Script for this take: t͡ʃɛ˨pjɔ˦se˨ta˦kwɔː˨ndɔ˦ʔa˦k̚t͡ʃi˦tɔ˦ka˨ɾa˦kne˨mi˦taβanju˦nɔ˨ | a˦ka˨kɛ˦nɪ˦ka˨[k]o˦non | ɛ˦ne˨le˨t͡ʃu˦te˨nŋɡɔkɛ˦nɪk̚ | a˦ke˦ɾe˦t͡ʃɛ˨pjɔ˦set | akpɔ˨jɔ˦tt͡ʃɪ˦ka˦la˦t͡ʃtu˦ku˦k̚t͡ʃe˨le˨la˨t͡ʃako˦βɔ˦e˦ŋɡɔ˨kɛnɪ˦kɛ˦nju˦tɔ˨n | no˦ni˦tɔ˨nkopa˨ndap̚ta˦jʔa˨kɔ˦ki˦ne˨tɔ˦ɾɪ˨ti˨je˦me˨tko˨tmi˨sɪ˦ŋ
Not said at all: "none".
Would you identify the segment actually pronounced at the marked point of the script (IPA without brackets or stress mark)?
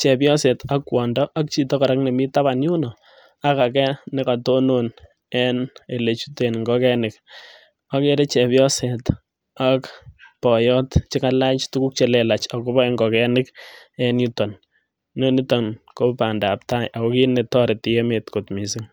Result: t